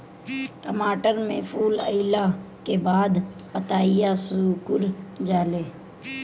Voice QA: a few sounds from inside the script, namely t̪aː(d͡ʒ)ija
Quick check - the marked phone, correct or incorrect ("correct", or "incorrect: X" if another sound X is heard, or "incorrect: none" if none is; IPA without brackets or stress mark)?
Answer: incorrect: none